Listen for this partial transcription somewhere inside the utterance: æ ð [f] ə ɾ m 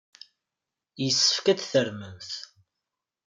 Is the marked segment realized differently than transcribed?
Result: yes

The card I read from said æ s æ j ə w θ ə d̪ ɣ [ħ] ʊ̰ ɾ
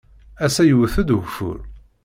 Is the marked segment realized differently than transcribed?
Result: yes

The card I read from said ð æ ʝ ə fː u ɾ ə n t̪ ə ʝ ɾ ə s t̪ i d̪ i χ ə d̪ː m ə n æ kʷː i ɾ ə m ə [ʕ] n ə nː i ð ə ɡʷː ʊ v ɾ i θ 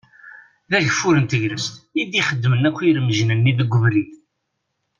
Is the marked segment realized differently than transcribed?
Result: yes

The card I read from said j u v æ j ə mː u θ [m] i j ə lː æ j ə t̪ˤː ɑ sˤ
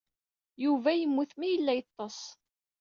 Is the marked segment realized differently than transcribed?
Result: no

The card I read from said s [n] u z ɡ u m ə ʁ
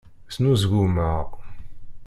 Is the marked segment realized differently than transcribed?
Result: no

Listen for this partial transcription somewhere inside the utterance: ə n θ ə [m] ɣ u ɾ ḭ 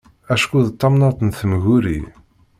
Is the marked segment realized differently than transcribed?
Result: no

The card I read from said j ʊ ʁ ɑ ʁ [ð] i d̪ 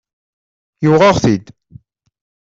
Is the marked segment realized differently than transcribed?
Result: yes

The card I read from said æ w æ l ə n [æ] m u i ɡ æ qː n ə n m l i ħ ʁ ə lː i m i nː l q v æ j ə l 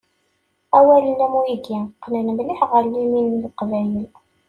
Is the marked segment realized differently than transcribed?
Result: no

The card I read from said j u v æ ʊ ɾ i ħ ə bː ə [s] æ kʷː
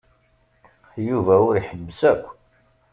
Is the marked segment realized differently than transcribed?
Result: no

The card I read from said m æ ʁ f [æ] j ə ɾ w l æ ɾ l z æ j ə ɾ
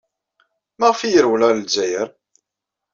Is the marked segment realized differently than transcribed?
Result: yes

